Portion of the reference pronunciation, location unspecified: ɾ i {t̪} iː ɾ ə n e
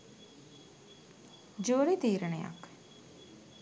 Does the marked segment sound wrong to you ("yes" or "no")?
no